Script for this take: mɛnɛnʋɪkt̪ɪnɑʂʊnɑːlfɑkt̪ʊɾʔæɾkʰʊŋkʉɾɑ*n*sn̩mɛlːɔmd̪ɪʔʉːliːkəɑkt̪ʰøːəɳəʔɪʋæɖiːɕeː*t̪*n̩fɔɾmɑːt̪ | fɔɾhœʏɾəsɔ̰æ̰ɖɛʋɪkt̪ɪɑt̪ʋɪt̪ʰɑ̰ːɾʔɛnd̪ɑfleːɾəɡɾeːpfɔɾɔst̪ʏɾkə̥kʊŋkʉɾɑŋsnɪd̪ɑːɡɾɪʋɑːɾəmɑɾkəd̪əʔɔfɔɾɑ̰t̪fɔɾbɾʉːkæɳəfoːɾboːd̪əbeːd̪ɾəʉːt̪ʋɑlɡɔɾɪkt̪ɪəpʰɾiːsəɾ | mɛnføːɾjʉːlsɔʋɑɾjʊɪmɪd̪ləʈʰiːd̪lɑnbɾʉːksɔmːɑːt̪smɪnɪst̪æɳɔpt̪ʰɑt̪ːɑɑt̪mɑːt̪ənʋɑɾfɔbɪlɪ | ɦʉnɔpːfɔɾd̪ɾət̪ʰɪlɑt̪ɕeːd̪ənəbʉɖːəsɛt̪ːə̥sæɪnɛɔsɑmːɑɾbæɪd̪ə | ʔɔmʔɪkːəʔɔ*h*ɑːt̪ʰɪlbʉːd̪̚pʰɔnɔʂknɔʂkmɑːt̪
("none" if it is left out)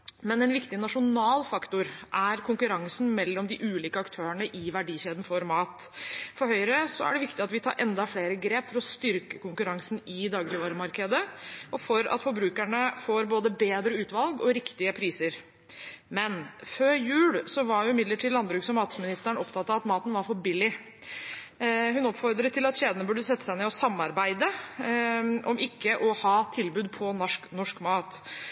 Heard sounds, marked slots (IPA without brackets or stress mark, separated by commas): ŋ, d̪, h